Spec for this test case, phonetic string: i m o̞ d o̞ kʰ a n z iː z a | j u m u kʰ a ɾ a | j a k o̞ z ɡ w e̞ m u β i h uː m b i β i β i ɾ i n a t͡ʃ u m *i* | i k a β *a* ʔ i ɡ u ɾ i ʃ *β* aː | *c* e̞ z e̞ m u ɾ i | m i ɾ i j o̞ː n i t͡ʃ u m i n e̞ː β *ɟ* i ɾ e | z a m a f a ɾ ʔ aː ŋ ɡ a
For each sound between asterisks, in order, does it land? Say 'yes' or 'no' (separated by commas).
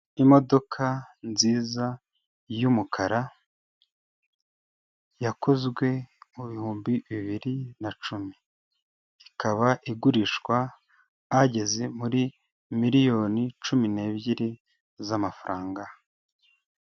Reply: yes, yes, no, no, yes